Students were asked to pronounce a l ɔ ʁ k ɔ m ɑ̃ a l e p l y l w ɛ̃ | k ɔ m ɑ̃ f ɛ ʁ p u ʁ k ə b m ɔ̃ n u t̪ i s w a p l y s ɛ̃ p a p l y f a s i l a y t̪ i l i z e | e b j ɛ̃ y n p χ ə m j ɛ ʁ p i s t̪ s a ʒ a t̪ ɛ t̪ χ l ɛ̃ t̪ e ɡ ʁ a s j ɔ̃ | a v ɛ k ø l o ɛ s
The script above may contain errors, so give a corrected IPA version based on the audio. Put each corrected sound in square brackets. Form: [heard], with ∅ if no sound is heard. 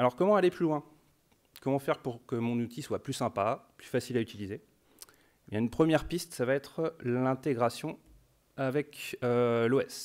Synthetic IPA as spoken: a l ɔ ʁ k ɔ m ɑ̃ a l e p l y l w ɛ̃ | k ɔ m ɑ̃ f ɛ ʁ p u ʁ k ə [∅] m ɔ̃ n u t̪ i s w a p l y s ɛ̃ p a p l y f a s i l a y t̪ i l i z e | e b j ɛ̃ y n p χ ə m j ɛ ʁ p i s t̪ s a [v] a [∅] ɛ t̪ χ l ɛ̃ t̪ e ɡ ʁ a s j ɔ̃ | a v ɛ k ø l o ɛ s